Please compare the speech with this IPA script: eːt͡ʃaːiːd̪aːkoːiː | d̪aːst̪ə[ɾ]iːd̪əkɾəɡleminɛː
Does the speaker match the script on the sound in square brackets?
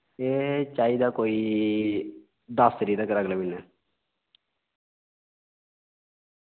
yes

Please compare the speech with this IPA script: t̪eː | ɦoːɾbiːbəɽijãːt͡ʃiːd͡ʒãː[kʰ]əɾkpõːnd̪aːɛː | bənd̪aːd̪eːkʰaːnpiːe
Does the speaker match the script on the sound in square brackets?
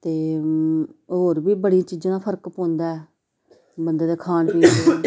no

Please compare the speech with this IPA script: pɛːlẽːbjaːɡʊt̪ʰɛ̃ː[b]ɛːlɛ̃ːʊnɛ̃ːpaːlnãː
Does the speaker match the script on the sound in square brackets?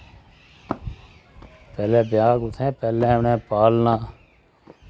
no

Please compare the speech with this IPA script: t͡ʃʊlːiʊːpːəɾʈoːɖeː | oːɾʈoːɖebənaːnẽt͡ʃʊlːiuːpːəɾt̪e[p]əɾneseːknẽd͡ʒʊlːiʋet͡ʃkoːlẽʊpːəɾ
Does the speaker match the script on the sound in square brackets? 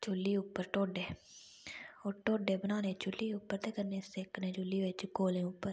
no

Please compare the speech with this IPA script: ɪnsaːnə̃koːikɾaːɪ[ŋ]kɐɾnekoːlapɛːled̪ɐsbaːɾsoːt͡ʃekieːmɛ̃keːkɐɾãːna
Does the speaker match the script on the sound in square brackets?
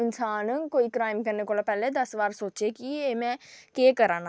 no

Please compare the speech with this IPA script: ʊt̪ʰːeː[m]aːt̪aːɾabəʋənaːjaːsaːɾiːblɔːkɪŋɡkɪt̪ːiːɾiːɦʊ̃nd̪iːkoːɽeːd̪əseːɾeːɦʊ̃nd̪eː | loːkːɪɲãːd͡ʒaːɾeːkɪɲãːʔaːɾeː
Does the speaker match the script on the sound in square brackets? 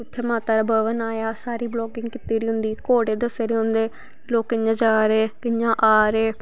yes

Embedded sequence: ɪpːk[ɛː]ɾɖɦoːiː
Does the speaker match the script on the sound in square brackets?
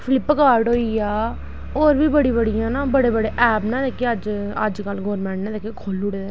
no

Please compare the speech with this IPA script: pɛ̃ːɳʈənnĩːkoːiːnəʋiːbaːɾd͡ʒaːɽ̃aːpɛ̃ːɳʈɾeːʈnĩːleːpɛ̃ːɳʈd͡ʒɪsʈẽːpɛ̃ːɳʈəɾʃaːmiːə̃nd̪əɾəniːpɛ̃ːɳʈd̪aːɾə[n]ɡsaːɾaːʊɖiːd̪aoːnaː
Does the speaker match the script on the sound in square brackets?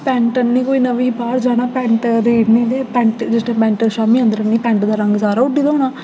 no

